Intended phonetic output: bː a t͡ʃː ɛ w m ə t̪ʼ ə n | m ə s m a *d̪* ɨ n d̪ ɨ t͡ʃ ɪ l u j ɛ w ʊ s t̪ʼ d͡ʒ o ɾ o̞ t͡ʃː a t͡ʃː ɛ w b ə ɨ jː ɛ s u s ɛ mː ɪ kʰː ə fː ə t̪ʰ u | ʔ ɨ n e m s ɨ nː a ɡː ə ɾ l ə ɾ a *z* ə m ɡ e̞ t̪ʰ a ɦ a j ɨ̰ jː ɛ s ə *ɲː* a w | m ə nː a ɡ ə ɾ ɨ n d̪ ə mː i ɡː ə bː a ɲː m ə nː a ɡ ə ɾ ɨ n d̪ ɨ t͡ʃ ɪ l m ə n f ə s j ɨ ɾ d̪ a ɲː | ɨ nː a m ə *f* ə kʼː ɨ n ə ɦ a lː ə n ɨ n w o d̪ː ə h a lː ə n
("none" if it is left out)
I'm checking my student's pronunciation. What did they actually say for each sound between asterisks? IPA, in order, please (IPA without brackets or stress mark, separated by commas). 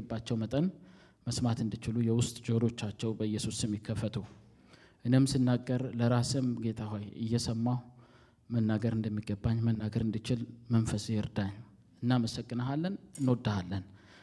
t̪, s, mː, s